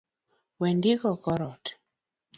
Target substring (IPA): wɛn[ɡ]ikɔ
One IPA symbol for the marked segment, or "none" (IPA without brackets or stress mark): d